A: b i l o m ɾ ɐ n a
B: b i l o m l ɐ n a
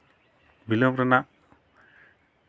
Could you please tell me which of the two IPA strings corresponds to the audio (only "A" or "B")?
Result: A